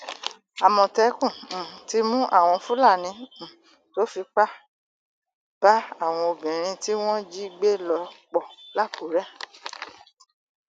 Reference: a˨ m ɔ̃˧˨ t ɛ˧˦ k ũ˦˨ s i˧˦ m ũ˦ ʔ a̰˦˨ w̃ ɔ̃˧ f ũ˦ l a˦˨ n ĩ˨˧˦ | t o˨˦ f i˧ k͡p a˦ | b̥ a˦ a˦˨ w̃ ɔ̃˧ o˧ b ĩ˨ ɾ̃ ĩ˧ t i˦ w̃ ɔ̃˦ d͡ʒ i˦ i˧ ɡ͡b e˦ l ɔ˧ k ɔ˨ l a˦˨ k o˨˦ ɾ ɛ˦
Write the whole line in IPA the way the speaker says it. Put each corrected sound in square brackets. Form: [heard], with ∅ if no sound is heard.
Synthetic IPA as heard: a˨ m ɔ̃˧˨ t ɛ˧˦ k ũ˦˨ [t] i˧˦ m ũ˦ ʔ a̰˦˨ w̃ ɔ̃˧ f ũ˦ l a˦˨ n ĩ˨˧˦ | t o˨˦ f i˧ k͡p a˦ | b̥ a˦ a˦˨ w̃ ɔ̃˧ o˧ b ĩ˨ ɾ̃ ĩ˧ t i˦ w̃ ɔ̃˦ d͡ʒ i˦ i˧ ɡ͡b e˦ l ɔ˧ [k͡p] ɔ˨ l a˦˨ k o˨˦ ɾ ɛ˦